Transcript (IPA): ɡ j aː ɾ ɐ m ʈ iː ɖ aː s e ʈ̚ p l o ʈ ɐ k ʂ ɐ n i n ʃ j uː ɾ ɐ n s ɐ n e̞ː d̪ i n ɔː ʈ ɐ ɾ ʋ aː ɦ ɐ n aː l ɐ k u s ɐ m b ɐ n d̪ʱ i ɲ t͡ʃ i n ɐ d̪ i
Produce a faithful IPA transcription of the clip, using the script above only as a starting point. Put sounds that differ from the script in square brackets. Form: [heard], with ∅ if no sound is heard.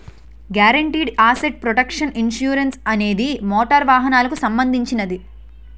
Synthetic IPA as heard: ɡ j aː ɾ ɐ [ɳ] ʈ iː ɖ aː s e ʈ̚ p [ɾ] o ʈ ɐ k ʂ ɐ n i n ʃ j uː ɾ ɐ n s ɐ n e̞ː d̪ i [m] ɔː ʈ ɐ ɾ ʋ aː ɦ ɐ n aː l ɐ k u s ɐ m b ɐ n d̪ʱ i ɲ t͡ʃ i n ɐ d̪ i